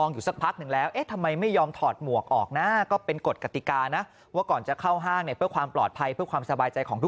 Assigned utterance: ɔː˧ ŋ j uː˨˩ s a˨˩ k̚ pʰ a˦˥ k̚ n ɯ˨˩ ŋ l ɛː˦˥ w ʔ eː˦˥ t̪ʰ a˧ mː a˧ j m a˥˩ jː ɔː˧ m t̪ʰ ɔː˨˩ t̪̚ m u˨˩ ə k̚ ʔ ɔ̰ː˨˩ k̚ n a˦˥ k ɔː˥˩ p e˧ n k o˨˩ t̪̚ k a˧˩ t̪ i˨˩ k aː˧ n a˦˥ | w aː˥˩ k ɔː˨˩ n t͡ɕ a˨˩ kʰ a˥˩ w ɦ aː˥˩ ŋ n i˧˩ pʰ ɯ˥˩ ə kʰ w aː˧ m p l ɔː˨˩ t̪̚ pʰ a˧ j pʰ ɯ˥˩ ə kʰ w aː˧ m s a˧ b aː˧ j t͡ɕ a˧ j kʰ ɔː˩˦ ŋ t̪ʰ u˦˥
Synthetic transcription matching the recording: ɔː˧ ŋ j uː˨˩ s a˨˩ k̚ pʰ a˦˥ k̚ n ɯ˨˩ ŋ l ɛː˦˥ w ʔ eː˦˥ t̪ʰ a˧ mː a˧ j m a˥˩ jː ɔː˧ m t̪ʰ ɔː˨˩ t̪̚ m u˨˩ ə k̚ ʔ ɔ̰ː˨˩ k̚ n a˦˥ k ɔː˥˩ p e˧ n k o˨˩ t̪̚ k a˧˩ t̪ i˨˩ k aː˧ n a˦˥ | w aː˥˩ k ɔː˨˩ n t͡ɕ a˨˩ kʰ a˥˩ w ɦ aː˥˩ ŋ n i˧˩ pʰ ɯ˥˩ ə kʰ w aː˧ m p l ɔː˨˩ t̪̚ pʰ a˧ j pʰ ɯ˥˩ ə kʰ w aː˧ m s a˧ b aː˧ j t͡ɕ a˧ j kʰ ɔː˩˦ ŋ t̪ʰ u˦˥